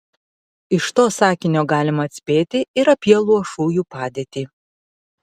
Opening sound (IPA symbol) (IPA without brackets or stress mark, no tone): ɪ